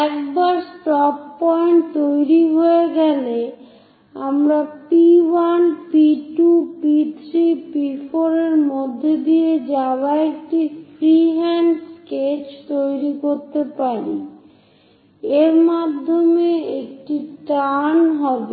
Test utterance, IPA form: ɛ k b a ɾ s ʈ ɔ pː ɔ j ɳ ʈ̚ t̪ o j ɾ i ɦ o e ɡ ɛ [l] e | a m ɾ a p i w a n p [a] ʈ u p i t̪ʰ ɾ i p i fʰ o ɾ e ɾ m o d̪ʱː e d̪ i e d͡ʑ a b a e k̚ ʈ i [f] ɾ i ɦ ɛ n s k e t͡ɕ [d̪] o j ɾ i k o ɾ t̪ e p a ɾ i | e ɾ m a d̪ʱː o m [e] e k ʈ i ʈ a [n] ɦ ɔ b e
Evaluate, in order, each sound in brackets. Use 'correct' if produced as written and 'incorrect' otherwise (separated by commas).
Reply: correct, incorrect, correct, incorrect, correct, correct